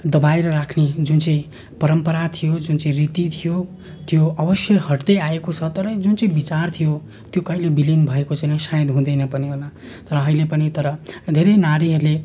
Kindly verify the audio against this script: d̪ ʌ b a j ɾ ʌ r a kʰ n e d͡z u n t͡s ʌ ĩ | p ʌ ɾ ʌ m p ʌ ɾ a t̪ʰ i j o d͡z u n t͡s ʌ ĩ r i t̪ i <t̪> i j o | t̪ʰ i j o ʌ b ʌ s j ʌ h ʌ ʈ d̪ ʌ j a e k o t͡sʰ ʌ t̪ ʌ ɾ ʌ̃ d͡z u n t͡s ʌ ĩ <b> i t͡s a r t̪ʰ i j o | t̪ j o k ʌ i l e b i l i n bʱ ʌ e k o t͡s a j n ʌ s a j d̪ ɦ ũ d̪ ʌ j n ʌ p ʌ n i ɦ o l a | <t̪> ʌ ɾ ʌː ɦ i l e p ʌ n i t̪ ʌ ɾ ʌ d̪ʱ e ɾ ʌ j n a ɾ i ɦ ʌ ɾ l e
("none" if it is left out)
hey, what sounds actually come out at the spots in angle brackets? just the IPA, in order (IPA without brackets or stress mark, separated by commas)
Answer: t̪ʰ, b, t̪